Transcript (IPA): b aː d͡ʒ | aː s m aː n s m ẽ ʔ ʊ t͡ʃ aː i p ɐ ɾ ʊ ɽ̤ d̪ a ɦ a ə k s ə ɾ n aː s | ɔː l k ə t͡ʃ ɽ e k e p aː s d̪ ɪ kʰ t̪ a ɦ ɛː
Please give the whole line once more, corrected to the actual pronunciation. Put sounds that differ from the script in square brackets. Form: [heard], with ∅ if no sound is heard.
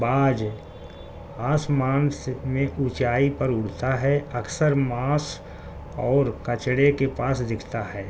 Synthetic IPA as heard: b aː d͡ʒ | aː s m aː n s m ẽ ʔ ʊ t͡ʃ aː i p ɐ ɾ ʊ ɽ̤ [t̪] a ɦ [ɛ] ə k s ə ɾ [m] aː s | ɔː [ɾ] k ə t͡ʃ ɽ e k e p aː s d̪ ɪ kʰ t̪ a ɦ ɛː